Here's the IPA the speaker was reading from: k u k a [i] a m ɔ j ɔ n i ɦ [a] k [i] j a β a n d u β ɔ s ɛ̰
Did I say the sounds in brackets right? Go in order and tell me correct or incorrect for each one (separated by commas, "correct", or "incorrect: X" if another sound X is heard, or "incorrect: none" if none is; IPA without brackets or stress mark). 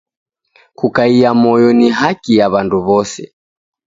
correct, correct, correct